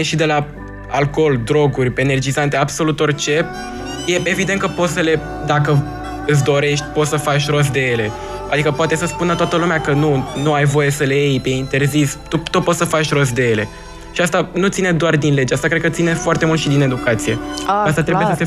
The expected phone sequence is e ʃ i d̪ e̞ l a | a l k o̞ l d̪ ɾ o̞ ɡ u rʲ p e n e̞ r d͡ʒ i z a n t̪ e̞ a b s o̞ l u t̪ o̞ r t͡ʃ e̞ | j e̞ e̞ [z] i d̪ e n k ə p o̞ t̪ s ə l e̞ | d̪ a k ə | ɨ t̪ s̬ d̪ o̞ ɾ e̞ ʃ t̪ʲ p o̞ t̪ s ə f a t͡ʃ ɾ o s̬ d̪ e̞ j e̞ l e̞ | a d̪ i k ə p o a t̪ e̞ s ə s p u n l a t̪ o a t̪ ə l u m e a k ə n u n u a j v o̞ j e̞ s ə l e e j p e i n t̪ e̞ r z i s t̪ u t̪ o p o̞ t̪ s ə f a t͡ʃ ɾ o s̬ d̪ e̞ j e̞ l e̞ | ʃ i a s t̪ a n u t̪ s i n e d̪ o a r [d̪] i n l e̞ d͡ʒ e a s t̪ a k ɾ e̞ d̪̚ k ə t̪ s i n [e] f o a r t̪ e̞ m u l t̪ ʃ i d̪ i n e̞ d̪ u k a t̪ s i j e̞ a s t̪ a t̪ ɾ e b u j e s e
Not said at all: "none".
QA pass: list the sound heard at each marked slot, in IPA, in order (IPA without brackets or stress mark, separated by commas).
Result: v, d̪, e